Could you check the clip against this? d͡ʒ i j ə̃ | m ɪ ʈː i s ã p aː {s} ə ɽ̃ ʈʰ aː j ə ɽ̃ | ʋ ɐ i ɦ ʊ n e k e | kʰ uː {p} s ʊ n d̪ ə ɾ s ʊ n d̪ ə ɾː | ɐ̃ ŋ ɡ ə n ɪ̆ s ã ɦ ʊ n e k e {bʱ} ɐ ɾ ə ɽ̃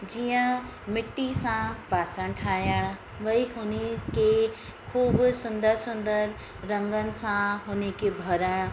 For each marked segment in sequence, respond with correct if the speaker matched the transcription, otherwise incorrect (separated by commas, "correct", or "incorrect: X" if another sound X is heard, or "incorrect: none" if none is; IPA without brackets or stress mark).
correct, incorrect: b, correct